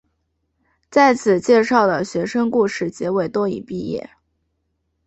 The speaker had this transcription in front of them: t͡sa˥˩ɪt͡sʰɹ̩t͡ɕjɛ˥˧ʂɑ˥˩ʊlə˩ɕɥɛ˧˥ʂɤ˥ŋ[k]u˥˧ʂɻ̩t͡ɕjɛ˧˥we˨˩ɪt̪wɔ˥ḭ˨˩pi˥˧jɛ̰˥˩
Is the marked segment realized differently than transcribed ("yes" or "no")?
no